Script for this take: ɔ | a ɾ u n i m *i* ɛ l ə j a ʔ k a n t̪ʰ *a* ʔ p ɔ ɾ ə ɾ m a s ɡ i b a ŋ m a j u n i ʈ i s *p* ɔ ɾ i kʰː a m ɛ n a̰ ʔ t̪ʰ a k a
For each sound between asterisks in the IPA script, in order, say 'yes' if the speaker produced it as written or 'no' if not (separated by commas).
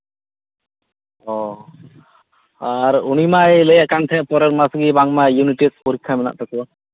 no, no, yes